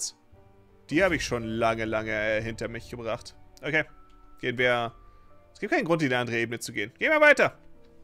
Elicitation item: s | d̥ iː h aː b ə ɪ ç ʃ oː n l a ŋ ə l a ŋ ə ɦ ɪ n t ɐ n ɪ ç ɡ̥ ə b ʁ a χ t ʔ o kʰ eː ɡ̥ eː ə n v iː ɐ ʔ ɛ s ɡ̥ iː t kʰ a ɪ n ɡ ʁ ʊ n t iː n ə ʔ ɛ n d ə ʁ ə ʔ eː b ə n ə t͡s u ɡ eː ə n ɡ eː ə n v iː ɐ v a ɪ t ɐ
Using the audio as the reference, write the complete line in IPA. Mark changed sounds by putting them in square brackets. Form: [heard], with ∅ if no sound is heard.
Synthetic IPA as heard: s | d̥ iː h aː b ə ɪ ç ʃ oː n l a ŋ ə l a ŋ ə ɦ ɪ n t ɐ [m] ɪ ç ɡ̥ ə b ʁ a χ t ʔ o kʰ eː ɡ̥ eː ə n v iː ɐ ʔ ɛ s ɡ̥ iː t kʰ a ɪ n ɡ ʁ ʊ n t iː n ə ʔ [a] n d ə ʁ ə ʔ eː b ə n ə t͡s u ɡ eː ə n ɡ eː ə n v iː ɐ v a ɪ t ɐ

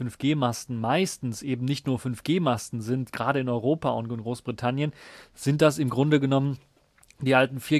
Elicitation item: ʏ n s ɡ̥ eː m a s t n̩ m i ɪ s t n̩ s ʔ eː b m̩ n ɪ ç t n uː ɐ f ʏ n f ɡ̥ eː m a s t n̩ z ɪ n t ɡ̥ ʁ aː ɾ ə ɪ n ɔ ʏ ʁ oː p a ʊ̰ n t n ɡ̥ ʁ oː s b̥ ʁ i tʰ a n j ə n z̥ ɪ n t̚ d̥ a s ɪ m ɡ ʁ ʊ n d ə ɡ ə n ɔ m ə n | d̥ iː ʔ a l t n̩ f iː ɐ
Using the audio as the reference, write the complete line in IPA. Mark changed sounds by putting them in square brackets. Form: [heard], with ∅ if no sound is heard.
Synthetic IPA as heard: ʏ n [f] ɡ̥ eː m a s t n̩ m [a] ɪ s t n̩ s ʔ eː b m̩ n ɪ ç t n uː ɐ f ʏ n f ɡ̥ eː m a s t n̩ z ɪ n t ɡ̥ ʁ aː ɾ ə ɪ n ɔ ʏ ʁ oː p a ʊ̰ n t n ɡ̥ ʁ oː s b̥ ʁ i tʰ a n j ə n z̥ ɪ n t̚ d̥ a s ɪ m ɡ ʁ ʊ n d ə ɡ ə n ɔ m ə n | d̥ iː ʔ a l t n̩ f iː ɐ

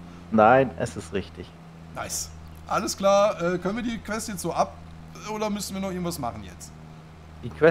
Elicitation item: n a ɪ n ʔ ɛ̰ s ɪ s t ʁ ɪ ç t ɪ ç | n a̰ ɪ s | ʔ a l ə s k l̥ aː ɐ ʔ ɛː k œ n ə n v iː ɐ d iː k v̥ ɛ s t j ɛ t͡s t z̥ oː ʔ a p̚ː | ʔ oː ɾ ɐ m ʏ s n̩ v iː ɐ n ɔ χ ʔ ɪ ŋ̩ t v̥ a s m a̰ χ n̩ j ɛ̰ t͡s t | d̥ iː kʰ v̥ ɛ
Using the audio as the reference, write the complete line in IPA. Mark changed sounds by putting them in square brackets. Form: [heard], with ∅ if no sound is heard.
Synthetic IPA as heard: n a ɪ n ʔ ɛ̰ s ɪ s t ʁ ɪ ç t ɪ ç | n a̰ ɪ s | ʔ a l ə s k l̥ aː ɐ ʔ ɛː k œ n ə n v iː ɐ d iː k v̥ ɛ s t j ɛ t͡s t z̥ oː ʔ a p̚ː | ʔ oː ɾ ɐ m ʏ s n̩ v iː ɐ n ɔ χ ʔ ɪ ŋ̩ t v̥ a s m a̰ χ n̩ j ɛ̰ t͡s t | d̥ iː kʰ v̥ ɛ

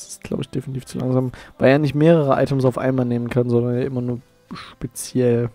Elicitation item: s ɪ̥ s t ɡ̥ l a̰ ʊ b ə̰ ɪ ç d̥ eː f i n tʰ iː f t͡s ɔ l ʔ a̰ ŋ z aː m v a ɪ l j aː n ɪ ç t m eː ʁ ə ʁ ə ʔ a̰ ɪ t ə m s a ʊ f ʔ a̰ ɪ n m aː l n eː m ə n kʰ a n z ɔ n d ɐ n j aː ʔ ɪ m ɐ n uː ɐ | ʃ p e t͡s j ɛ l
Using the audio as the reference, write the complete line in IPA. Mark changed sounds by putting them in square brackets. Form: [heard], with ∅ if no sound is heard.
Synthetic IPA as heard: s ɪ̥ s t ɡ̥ l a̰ ʊ b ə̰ ɪ ç d̥ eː f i n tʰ iː f t͡s [u] l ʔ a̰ ŋ z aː m v a ɪ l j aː n ɪ ç t m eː ʁ ə ʁ ə ʔ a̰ ɪ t ə m s a ʊ f ʔ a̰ ɪ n m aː l n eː m ə n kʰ a n z ɔ n d ɐ n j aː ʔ ɪ m ɐ n uː ɐ | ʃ p e t͡s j ɛ l

